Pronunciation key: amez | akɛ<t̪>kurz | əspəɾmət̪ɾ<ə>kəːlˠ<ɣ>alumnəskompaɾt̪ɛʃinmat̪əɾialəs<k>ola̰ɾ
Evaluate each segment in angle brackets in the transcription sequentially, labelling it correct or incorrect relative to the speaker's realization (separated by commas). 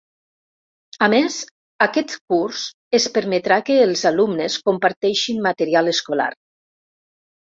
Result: correct, incorrect, incorrect, correct